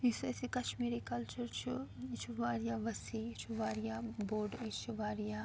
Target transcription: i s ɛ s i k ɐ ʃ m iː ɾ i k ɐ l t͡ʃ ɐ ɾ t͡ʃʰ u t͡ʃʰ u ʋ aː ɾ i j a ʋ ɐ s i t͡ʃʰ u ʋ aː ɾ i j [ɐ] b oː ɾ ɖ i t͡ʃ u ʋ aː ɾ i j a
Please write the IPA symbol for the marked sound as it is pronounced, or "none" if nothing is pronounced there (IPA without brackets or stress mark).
a